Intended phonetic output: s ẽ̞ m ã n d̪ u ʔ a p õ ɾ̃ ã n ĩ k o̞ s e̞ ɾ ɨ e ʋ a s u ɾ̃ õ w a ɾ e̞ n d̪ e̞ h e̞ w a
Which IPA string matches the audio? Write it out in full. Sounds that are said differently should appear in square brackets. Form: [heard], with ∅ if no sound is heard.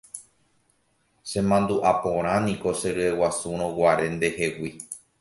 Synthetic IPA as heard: s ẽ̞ m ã n d̪ u ʔ a p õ ɾ̃ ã n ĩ k o̞ s e̞ ɾ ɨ e [w] a s u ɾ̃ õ w a ɾ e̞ n d̪ e̞ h e̞ w [i]